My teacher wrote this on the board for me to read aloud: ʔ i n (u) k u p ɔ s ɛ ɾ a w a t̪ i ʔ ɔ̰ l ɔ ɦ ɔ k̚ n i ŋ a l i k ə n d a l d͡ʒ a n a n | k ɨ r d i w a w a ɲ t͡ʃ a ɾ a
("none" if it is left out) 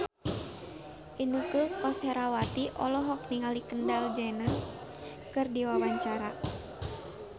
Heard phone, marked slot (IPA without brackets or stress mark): u